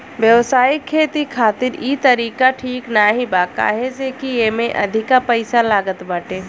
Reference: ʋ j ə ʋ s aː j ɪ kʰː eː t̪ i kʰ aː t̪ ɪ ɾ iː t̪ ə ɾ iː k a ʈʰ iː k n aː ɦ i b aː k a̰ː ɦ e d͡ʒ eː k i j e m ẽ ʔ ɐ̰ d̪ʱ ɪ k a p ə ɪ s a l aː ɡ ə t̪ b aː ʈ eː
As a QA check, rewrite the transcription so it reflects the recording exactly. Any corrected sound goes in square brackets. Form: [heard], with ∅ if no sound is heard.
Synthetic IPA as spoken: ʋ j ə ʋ s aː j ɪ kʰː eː t̪ i kʰ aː t̪ ɪ ɾ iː t̪ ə ɾ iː k a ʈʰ iː k n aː ɦ i b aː k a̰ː ɦ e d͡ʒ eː k i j e m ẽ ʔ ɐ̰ d̪ʱ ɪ k a p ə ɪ s a l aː ɡ ə t̪ b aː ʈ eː